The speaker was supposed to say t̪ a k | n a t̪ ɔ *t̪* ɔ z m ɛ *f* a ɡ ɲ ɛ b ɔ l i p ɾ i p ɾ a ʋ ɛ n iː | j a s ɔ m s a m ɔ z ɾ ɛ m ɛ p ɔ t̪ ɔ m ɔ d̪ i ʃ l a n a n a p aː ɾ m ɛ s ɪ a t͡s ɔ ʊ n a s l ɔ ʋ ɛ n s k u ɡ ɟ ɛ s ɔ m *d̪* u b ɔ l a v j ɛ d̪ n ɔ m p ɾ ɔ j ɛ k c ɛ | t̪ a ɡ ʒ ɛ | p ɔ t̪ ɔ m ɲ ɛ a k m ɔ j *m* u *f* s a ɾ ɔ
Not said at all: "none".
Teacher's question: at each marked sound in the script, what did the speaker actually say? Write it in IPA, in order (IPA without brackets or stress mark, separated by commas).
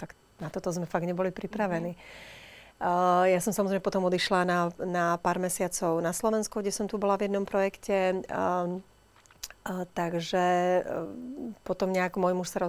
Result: t̪, f, t̪, m, ʃ